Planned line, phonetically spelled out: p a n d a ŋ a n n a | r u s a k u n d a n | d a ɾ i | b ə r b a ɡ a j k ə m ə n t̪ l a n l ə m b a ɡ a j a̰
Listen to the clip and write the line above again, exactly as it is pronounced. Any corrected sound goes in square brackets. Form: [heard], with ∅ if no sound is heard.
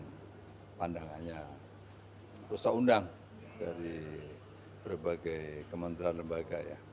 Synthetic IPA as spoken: p a n d a ŋ a n [ɲ] a | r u s a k u n d a [ŋ] | d a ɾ i | b ə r b a ɡ a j k ə m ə n t̪ [ɾ] a n l ə m b a ɡ a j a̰